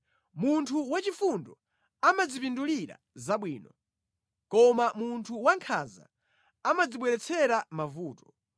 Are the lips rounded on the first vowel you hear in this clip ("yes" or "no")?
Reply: yes